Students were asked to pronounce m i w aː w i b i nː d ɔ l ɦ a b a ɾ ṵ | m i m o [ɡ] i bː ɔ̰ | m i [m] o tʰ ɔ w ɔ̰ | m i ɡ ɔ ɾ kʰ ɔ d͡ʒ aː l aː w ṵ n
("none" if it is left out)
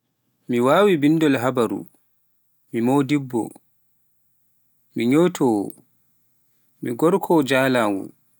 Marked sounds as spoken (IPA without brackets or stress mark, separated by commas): d, ɲ